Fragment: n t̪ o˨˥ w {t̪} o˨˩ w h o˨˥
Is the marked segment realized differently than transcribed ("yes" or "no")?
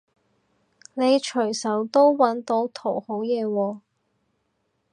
yes